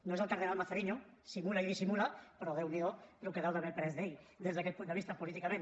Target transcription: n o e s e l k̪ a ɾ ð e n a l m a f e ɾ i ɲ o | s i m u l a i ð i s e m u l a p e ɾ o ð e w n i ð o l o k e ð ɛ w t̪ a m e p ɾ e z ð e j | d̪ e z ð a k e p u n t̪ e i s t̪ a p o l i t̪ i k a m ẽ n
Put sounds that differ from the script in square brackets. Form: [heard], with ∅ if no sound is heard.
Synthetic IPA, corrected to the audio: n o e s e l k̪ a ɾ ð e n a l m a [θ] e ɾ i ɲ o | s i m u l a i ð i s [i] m u l a p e ɾ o ð e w n i ð o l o k e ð [a] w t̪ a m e p ɾ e z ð e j | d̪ e z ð a k e p u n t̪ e i s t̪ a p o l i t̪ i k a m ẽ n